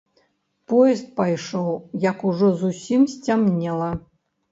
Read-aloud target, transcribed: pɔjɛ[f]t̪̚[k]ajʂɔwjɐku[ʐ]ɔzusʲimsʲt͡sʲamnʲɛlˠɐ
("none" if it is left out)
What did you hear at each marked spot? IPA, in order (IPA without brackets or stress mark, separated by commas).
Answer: s, p, ʐ